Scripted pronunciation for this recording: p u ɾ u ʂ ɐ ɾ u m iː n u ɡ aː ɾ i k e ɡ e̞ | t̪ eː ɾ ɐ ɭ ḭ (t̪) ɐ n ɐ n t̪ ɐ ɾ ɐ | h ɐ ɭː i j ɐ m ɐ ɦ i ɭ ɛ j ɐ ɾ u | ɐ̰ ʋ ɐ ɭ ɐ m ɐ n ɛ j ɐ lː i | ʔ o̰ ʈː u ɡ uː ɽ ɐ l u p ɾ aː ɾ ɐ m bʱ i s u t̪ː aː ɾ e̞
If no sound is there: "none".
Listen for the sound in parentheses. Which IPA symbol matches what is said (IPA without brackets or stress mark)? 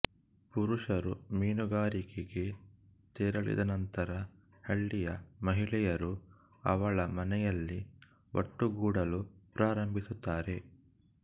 d̪